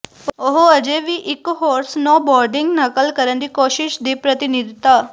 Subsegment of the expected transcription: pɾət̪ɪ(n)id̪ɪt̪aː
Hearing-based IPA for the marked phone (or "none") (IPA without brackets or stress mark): n